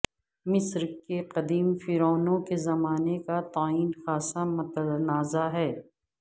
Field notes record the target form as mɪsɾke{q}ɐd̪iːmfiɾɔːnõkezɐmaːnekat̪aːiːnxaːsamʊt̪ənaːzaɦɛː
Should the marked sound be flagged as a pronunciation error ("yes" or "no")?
no